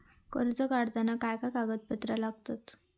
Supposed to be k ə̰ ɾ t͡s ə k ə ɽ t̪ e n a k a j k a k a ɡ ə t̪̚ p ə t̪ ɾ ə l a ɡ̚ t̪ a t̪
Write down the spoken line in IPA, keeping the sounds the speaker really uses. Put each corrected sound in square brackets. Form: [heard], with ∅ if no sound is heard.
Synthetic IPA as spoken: k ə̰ ɾ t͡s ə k [a] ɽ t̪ [a] n a k a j k a k a ɡ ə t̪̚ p ə t̪ ɾ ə l a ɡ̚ t̪ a t̪